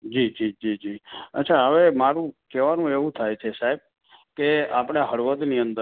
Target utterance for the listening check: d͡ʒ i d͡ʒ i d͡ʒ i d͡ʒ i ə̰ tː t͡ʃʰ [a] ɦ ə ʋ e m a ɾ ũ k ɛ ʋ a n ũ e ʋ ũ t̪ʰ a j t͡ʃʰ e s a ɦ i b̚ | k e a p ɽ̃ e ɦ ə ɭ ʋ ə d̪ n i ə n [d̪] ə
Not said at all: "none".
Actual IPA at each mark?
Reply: a, d̪

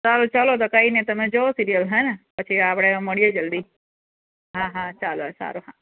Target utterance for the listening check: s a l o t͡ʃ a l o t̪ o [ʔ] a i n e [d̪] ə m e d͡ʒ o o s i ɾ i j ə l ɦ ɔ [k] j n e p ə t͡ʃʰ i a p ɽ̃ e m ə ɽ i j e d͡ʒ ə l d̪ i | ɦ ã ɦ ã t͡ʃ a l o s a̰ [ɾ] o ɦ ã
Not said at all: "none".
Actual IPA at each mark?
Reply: k, t̪, none, ɾ

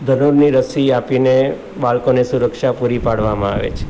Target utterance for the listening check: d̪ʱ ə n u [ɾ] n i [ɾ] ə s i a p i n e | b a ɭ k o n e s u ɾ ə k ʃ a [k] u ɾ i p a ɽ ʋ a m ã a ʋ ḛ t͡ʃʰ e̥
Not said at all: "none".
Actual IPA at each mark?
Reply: ɾ, ɾ, p

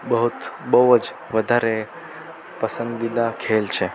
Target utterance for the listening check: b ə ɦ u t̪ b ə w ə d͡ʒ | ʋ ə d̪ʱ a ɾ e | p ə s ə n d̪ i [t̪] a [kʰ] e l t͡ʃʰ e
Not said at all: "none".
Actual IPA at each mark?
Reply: d̪, kʰ

